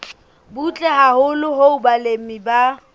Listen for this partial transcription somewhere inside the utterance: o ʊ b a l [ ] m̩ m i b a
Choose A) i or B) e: B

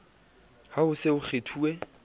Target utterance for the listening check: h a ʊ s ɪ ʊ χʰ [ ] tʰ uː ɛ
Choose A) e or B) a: A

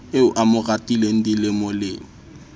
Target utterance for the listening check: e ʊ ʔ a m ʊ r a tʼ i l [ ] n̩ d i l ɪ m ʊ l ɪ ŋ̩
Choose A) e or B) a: A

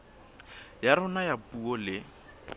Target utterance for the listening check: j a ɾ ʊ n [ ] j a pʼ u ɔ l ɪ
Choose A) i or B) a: B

